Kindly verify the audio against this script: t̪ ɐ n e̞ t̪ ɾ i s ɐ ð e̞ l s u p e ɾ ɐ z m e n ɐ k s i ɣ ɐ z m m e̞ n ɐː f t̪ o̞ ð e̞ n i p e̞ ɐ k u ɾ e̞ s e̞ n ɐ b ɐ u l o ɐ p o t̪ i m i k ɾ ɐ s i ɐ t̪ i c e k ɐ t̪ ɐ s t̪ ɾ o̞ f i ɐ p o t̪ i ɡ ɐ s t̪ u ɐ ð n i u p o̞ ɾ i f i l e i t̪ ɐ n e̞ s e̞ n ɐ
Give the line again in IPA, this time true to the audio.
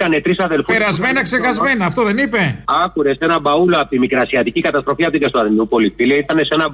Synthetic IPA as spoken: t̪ ɐ n e̞ t̪ ɾ i s ɐ ð e̞ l f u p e ɾ ɐ z m e n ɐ k s e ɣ ɐ z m m e̞ n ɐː f t̪ o̞ ð e̞ n i p e̞ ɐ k u ɾ e̞ s e̞ n ɐ b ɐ u l o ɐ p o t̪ i m i k ɾ ɐ s i ɐ t̪ i c i k ɐ t̪ ɐ s t̪ ɾ o̞ f i ɐ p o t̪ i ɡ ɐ s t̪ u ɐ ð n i u p o̞ l i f i l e i t̪ ɐ n e̞ s e̞ n ɐ